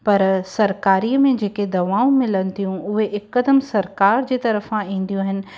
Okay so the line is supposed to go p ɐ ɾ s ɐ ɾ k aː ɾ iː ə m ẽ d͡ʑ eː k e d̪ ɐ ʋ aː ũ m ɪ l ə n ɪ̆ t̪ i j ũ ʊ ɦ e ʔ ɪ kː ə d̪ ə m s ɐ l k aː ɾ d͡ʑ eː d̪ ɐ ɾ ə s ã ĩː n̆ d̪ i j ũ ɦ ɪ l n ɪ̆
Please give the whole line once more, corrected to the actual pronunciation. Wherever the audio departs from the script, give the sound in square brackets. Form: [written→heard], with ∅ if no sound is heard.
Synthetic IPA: p ɐ ɾ s ɐ ɾ k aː ɾ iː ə m ẽ d͡ʑ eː k e d̪ ɐ ʋ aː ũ m ɪ l ə n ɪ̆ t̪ i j ũ ʊ ɦ e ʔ ɪ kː ə d̪ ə m s ɐ [l→ɾ] k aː ɾ d͡ʑ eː [d̪→t̪] ɐ ɾ ə [s→f] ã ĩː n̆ d̪ i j ũ ɦ ɪ [l→∅] n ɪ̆

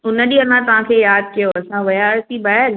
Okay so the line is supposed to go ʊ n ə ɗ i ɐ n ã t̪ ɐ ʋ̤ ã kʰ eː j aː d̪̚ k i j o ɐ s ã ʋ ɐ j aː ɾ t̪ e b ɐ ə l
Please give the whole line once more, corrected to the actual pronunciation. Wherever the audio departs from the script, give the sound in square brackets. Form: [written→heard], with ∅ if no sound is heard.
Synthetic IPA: ʊ n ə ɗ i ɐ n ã t̪ ɐ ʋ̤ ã kʰ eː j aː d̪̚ k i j o ɐ s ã ʋ ɐ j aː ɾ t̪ [e→i] b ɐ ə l

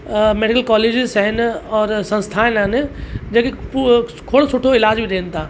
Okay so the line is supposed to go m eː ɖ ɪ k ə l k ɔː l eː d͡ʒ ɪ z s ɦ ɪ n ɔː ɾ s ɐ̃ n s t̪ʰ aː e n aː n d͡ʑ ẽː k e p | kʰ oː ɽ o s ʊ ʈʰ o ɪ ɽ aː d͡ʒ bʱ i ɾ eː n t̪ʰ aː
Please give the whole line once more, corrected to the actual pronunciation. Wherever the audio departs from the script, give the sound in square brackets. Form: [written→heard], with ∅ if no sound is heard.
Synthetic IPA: m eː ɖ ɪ k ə l k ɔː l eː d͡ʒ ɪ z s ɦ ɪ n ɔː ɾ s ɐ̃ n s t̪ʰ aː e n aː n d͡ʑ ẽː k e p | kʰ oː ɽ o s ʊ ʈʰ o ɪ [ɽ→l] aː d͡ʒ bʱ i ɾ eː n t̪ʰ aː

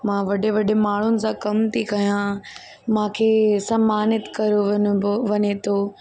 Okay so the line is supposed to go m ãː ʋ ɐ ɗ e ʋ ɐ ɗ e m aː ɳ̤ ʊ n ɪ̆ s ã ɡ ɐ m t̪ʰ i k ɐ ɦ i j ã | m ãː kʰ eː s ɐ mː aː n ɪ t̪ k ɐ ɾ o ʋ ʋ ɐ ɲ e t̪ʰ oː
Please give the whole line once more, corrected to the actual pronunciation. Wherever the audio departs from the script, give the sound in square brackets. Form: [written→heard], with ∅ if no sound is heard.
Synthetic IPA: m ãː ʋ ɐ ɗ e ʋ ɐ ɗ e m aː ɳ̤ ʊ n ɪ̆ s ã [ɡ→k] ɐ m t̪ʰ i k ɐ ɦ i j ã | m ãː kʰ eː s ɐ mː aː n ɪ t̪ k ɐ ɾ o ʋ ʋ ɐ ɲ e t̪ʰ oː

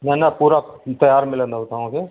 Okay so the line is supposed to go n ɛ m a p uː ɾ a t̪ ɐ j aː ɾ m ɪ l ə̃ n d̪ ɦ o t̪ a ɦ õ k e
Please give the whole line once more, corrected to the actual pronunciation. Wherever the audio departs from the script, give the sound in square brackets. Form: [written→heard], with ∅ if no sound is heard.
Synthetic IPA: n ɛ [m→n] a p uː ɾ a t̪ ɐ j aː ɾ m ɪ l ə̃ n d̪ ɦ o t̪ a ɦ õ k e

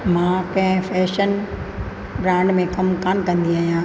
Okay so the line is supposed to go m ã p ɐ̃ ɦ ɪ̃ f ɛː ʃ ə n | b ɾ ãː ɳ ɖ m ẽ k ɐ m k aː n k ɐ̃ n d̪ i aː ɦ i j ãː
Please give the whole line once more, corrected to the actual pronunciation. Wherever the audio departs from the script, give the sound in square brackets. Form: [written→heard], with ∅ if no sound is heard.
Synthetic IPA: m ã [p→k] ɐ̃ ɦ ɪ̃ f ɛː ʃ ə n | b ɾ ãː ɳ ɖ m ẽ k ɐ m k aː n k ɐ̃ n d̪ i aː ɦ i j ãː

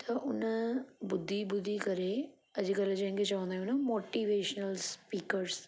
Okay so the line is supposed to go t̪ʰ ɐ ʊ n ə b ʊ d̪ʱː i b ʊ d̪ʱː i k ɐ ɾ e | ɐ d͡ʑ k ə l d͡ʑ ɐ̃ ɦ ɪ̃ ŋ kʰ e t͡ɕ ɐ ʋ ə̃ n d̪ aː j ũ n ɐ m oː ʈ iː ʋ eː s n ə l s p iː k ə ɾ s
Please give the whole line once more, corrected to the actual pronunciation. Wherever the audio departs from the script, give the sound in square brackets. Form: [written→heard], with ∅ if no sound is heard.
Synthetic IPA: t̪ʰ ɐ ʊ n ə b ʊ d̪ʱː i b ʊ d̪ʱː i k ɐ ɾ e | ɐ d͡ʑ k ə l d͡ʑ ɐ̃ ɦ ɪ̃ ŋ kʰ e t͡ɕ ɐ ʋ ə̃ n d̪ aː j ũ n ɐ m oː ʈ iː ʋ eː [s→ʃ] n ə l s p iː k ə ɾ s

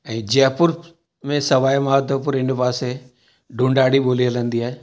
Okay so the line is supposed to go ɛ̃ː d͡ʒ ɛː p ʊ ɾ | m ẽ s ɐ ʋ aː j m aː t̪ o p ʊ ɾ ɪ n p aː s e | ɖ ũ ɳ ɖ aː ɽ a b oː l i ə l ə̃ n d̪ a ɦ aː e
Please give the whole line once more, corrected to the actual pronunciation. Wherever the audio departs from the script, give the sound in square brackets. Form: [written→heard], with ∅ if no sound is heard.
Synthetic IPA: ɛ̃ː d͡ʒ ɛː p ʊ ɾ | m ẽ s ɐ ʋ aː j m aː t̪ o p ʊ ɾ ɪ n p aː s e | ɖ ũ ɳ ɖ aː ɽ [a→i] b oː l i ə l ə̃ n d̪ [a→i] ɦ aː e

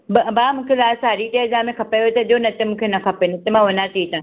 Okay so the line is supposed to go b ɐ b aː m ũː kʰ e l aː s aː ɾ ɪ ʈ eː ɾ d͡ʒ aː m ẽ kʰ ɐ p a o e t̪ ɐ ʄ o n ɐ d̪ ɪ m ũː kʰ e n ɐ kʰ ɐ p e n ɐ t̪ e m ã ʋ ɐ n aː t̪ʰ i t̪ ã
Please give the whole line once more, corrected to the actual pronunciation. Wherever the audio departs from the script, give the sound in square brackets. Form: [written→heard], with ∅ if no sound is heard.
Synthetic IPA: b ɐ b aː m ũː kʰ e l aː s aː ɾ [ɪ→i] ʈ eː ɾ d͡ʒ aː m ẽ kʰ ɐ p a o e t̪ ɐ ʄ o n ɐ [d̪→t̪] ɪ m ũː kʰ e n ɐ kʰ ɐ p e n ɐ t̪ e m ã ʋ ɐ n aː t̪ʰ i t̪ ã

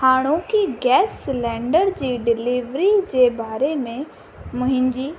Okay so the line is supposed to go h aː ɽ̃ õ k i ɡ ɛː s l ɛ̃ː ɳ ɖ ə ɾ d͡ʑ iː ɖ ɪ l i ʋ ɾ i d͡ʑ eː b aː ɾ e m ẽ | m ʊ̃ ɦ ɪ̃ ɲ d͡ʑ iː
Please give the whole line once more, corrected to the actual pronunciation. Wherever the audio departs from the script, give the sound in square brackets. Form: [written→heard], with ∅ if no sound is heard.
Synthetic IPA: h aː ɽ̃ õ k i ɡ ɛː s l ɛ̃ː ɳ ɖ ə ɾ d͡ʑ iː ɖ ɪ l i ʋ ɾ i d͡ʑ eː b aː ɾ e m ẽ | m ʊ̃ ɦ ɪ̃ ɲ d͡ʑ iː

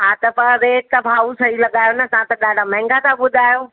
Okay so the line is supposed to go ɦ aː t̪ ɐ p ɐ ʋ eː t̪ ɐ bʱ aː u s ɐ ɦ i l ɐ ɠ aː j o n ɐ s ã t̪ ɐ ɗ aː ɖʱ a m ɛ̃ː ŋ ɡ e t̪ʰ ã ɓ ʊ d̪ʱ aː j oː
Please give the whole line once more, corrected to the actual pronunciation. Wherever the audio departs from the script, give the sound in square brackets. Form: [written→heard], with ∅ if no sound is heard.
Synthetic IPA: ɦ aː t̪ ɐ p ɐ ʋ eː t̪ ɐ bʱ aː u s ɐ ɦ i l ɐ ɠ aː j o n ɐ s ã t̪ ɐ ɗ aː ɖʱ a m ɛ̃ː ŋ ɡ [e→a] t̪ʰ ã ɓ ʊ d̪ʱ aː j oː

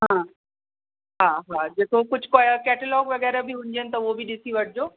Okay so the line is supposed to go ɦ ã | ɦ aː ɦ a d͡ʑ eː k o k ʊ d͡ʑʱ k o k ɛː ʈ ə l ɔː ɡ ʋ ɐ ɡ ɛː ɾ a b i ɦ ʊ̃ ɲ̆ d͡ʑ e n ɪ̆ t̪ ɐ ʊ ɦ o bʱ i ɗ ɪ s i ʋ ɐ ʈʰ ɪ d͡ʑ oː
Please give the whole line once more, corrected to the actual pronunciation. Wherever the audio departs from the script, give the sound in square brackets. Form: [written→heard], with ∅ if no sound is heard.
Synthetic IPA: ɦ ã | ɦ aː ɦ a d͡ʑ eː k o k ʊ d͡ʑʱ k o k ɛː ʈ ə l ɔː ɡ ʋ ɐ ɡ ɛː ɾ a b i ɦ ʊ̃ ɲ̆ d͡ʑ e n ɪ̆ t̪ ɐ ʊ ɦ o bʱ i ɗ ɪ s i ʋ ɐ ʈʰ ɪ d͡ʑ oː

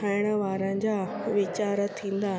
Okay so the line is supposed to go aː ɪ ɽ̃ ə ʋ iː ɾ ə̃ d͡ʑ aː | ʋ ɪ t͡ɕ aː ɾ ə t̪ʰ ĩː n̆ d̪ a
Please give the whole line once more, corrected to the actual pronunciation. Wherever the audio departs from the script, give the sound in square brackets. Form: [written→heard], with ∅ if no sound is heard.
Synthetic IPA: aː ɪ ɽ̃ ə ʋ [iː→aː] ɾ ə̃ d͡ʑ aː | ʋ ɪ t͡ɕ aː ɾ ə t̪ʰ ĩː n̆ d̪ a

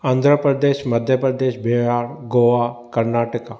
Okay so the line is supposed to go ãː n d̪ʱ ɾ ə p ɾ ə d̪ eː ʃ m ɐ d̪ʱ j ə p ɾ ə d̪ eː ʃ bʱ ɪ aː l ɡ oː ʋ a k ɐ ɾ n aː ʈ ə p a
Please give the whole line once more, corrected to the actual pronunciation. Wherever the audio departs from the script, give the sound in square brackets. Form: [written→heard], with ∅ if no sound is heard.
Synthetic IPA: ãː n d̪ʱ ɾ ə p ɾ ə d̪ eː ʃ m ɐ d̪ʱ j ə p ɾ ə d̪ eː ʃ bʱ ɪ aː [l→ɾ] ɡ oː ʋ a k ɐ ɾ n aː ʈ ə [p→k] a

